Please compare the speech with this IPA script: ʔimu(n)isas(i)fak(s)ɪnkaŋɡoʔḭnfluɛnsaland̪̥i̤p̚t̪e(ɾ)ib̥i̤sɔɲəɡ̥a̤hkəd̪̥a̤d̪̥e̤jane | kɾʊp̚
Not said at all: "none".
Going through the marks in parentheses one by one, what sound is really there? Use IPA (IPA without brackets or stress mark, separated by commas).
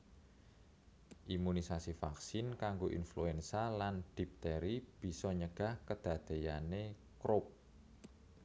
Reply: n, i, s, ɾ